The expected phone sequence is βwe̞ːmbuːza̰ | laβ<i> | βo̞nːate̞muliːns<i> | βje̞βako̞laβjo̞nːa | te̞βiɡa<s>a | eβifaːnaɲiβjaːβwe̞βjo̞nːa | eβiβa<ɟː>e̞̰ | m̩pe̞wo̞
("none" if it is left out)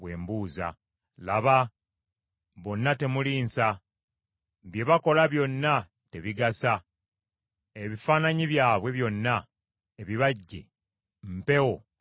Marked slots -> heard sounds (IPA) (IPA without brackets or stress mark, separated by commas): a, a, s, ɟː